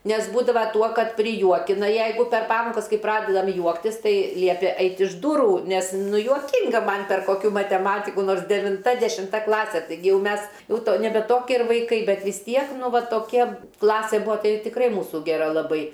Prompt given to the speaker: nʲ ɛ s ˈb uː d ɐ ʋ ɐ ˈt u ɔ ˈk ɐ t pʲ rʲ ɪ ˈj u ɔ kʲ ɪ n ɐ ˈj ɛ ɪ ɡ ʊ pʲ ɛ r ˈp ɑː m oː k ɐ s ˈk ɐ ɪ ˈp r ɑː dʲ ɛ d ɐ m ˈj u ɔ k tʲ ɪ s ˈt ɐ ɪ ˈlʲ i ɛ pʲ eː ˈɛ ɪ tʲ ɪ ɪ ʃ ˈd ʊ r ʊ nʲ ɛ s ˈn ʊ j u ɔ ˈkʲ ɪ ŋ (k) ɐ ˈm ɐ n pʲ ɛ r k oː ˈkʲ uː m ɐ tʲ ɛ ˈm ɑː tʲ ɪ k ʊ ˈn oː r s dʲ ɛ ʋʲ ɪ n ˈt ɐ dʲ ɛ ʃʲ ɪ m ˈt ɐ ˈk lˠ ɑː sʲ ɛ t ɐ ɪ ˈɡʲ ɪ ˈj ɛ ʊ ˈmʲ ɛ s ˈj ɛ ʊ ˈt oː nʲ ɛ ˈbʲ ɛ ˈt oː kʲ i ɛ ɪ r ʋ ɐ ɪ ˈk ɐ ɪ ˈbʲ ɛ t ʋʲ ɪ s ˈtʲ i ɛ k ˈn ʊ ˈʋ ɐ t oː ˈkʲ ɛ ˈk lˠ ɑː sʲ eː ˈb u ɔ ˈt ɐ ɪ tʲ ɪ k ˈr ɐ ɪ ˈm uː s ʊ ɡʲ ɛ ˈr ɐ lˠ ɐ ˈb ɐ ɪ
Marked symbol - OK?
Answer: no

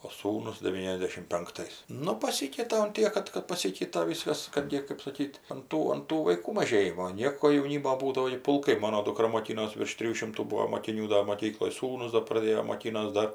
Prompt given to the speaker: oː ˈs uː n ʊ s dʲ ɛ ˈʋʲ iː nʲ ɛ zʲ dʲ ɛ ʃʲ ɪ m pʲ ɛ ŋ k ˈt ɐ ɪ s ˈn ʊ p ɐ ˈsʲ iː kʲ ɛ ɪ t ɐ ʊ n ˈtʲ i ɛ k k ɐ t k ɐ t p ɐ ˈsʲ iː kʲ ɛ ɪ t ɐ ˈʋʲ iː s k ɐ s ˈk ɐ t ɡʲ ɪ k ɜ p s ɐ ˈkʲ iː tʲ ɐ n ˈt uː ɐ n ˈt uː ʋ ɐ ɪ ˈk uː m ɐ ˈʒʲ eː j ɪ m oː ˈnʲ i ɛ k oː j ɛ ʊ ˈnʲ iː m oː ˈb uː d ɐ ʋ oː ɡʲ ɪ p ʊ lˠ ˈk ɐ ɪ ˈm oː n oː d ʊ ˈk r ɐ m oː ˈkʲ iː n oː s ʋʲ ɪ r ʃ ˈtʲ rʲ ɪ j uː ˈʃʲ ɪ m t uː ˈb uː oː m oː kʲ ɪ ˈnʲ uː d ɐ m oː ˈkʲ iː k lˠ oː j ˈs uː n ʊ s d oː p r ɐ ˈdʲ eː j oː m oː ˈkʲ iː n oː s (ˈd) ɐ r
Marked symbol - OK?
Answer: yes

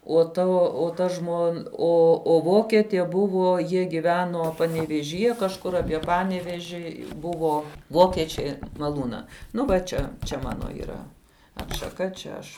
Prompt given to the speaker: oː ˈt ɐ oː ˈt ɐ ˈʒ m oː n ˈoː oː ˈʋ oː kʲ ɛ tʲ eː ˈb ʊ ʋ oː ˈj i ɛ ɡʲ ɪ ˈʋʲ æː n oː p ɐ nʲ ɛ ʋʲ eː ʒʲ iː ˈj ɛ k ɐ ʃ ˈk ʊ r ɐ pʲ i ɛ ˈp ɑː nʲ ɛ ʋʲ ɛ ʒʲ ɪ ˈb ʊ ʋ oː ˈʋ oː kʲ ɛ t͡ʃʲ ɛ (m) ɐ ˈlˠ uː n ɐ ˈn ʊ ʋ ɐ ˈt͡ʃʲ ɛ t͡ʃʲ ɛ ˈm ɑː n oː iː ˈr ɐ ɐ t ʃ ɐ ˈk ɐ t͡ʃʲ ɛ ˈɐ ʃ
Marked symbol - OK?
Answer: yes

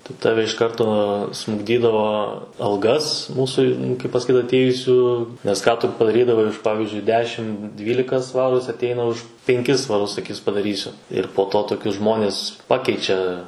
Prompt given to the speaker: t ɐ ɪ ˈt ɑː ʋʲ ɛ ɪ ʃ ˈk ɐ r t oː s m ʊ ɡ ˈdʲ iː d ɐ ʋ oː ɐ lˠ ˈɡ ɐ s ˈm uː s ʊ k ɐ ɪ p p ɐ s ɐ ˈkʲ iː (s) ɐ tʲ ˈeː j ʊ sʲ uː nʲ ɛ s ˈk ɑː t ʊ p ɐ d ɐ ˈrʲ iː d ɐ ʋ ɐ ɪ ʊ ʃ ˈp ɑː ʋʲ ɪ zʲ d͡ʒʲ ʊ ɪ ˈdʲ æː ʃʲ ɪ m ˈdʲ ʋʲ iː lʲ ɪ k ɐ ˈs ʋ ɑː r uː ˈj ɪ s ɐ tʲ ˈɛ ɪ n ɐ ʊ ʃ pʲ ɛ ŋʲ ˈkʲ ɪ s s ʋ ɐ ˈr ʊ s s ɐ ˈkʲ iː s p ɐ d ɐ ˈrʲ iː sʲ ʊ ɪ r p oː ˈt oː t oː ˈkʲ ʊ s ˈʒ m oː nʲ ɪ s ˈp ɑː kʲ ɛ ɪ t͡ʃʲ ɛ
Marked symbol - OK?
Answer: no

